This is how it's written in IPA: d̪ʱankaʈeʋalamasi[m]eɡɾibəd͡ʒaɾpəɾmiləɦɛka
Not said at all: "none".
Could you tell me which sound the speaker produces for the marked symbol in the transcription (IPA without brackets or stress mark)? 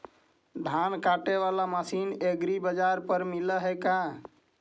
n